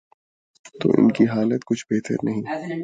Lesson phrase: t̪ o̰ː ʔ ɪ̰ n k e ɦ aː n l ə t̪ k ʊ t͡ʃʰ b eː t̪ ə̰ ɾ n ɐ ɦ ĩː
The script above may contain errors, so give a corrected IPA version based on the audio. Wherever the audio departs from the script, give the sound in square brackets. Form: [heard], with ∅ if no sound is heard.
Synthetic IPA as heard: t̪ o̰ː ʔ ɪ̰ n k [i] ɦ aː [∅] l ə t̪ k ʊ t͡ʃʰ b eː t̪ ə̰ ɾ n ɐ ɦ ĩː